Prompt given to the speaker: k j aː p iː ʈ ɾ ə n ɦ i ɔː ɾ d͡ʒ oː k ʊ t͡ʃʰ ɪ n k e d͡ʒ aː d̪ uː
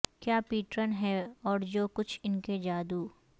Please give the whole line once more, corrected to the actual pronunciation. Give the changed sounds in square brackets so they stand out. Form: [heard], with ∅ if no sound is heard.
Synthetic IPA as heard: k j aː p iː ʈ ɾ ə n ɦ [ɛ] ɔː ɾ d͡ʒ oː k ʊ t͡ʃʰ ɪ n k e d͡ʒ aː d̪ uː